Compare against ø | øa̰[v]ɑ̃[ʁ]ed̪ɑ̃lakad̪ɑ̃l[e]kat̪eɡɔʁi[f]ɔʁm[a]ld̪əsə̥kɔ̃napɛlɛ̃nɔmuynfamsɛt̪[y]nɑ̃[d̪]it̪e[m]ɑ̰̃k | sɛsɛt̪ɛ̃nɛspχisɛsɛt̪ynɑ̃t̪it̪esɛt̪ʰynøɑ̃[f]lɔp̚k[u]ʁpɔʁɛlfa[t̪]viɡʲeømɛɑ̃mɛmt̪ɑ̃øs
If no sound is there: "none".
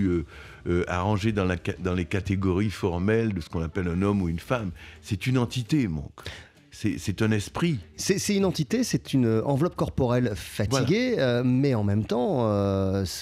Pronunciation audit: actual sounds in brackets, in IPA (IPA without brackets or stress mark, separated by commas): ʁ, ʒ, e, f, ɛ, y, t̪, m, v, ɔ, t̪